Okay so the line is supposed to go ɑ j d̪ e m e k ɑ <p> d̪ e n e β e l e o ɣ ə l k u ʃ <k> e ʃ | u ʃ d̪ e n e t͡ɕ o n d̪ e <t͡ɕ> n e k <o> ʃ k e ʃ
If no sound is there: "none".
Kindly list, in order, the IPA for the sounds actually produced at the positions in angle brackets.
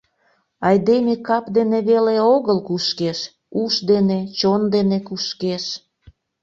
p, k, none, u

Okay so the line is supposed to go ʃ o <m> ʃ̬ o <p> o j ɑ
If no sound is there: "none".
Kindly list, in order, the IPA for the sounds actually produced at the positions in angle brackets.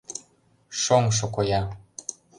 ŋ, k

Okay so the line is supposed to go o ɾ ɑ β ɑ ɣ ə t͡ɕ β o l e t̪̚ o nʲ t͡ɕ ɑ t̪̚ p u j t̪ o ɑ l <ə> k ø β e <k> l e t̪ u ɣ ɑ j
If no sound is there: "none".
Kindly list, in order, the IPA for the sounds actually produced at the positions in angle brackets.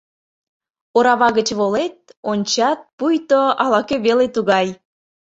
ɑ, none

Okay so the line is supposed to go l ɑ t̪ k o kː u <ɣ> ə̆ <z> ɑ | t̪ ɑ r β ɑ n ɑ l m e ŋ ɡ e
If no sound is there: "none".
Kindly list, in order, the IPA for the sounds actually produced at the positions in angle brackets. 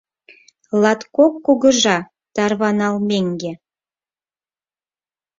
ɣ, ʒ

